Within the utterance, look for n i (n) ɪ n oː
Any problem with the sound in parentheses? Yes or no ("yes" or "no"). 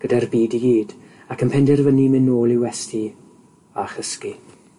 yes